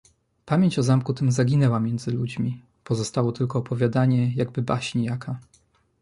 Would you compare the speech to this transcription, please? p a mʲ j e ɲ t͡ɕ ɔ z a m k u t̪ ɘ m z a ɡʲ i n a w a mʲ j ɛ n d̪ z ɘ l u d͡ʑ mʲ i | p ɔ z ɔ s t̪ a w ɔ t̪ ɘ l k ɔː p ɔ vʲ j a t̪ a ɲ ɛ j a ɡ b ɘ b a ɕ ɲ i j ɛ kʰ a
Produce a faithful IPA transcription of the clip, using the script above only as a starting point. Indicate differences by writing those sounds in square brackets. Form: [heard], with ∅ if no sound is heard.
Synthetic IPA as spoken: p a mʲ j e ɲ t͡ɕ ɔ z a m k u t̪ ɘ m z a ɡʲ i n [ɛ] w a mʲ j ɛ n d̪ z ɘ l u d͡ʑ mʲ i | p ɔ z ɔ s t̪ a w ɔ t̪ ɘ l k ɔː p ɔ vʲ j a [d̪] a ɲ ɛ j a ɡ b ɘ b a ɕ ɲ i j [a] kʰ a